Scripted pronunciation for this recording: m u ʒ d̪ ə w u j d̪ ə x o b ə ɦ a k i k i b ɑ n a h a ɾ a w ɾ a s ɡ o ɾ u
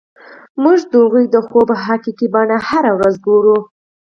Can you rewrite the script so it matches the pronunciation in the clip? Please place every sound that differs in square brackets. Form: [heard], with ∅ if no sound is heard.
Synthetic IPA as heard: m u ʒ d̪ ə [ɣ] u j d̪ ə x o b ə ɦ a k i k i b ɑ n a h a ɾ a w ɾ a [z] ɡ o ɾ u